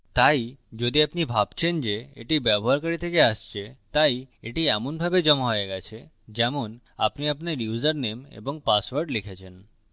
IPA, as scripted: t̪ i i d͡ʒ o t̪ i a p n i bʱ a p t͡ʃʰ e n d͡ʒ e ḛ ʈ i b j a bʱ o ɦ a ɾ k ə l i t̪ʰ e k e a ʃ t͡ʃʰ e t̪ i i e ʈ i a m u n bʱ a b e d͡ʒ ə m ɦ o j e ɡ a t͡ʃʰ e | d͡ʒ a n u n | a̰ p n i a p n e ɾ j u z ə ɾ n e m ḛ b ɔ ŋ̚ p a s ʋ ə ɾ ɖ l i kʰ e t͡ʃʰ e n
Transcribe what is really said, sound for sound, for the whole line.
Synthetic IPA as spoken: t̪ a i d͡ʒ o d̪ i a p n i bʱ a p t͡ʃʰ e n d͡ʒ e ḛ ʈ i b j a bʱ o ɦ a ɾ k ə ɾ i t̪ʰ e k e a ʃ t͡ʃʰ e t̪ a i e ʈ i a m u n bʱ a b e d͡ʒ ə m ɦ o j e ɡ a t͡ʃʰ e | d͡ʒ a m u n | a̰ p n i a p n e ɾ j u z ə ɾ n e m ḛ b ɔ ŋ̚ p a s ʋ ə ɾ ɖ l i kʰ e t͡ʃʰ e n